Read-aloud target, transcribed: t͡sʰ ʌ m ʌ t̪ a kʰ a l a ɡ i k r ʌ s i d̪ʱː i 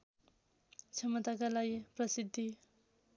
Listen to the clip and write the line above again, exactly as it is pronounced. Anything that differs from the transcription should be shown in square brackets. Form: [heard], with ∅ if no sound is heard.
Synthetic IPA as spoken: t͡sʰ ʌ m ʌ t̪ a [k] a l a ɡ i [p] r ʌ s i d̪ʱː i